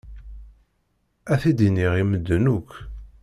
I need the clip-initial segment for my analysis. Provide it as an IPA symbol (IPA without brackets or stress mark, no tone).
æ